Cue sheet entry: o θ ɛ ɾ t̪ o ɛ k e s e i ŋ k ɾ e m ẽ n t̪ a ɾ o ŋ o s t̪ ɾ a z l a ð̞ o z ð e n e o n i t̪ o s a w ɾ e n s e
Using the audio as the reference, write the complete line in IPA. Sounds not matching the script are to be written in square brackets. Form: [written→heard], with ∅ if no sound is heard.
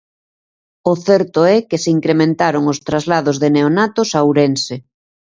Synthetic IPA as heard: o θ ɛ ɾ t̪ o ɛ k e s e i ŋ k ɾ e m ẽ n t̪ a ɾ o ŋ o s t̪ ɾ a z l a ð̞ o z ð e n e o n [i→a] t̪ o s a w ɾ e n s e